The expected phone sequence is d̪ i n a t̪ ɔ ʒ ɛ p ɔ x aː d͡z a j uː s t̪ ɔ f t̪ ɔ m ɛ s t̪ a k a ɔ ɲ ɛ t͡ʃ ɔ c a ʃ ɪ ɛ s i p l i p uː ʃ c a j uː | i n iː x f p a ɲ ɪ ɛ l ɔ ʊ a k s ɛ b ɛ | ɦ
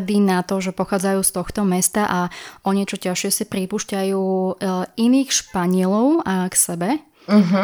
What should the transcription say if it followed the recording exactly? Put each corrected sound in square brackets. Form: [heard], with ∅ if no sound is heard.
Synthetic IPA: d̪ i n a t̪ ɔ ʒ ɛ p ɔ x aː d͡z a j uː s t̪ ɔ [x] t̪ ɔ m ɛ s t̪ a [ʔ] a ɔ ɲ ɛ t͡ʃ ɔ c a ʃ ɪ ɛ s i p [ɾ] i p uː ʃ c a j uː | i n iː x [ʃ] p a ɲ ɪ ɛ l ɔ ʊ a k s ɛ b ɛ | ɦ